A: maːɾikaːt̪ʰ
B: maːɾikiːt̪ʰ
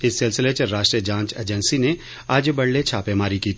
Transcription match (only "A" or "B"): B